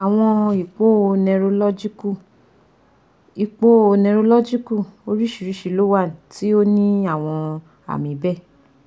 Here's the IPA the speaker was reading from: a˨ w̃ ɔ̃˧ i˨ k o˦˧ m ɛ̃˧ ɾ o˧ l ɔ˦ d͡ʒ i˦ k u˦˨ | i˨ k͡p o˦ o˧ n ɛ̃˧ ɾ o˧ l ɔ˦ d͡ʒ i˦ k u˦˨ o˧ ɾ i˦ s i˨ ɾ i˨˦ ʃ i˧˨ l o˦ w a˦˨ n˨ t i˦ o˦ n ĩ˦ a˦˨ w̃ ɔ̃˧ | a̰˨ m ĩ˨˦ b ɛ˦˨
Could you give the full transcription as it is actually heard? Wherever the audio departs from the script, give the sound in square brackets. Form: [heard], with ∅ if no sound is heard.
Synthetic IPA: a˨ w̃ ɔ̃˧ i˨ [k͡p] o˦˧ [n] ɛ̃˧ ɾ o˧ l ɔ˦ d͡ʒ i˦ k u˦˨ | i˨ k͡p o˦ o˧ n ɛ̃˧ ɾ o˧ l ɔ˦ d͡ʒ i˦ k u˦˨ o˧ ɾ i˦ [ʃ] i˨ ɾ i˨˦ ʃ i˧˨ l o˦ w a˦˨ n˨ t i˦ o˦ n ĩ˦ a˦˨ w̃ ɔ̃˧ | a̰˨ m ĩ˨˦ b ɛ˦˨